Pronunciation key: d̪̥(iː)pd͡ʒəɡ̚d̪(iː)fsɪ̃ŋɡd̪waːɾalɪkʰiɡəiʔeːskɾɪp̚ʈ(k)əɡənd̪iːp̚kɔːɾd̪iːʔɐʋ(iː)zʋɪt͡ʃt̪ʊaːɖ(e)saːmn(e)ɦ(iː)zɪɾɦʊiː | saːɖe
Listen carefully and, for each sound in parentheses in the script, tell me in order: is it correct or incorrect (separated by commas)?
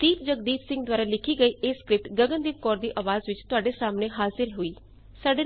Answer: correct, correct, incorrect, incorrect, correct, correct, incorrect